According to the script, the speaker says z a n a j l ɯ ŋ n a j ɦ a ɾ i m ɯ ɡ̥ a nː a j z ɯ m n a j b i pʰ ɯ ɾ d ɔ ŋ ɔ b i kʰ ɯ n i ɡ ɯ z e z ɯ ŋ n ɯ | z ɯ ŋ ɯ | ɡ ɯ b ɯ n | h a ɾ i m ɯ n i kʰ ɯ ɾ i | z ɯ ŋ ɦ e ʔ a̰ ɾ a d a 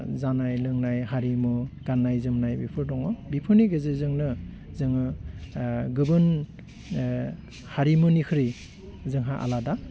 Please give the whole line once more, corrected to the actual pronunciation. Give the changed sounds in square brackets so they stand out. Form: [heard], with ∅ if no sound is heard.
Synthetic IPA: z a n a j l ɯ ŋ n a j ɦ a ɾ i m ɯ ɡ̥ a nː a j z ɯ m n a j b i pʰ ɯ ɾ d ɔ ŋ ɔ b i [pʰ] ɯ n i ɡ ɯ z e z ɯ ŋ n ɯ | z ɯ ŋ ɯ | ɡ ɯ b ɯ n | h a ɾ i m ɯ n i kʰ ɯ ɾ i | z ɯ ŋ ɦ [a] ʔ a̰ [l] a d a